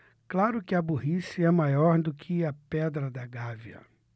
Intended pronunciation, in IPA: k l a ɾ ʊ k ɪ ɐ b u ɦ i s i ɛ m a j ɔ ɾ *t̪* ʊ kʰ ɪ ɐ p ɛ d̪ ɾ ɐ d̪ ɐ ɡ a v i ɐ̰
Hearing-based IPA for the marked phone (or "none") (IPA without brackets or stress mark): d̪